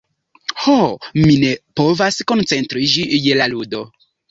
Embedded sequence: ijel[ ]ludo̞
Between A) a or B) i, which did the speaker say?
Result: A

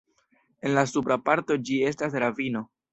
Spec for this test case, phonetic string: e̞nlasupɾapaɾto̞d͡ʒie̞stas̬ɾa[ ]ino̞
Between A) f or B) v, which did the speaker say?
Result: B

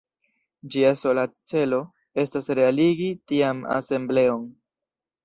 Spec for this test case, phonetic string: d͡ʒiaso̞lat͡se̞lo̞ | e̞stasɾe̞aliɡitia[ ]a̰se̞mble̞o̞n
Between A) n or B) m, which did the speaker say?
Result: B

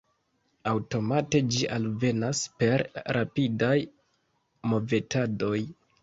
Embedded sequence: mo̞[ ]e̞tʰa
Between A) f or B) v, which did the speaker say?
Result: B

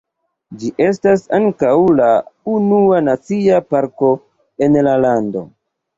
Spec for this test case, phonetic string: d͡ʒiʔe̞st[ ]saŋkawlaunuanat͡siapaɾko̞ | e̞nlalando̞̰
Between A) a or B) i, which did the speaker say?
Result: A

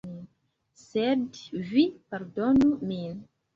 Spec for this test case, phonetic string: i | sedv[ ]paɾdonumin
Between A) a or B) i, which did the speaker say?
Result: B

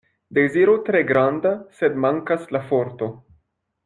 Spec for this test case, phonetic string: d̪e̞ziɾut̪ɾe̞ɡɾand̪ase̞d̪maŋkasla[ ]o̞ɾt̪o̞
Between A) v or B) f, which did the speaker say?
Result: B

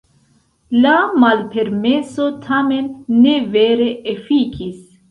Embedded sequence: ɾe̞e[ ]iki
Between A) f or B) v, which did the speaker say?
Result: A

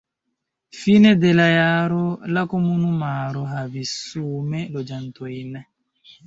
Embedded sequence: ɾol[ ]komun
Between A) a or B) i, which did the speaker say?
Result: A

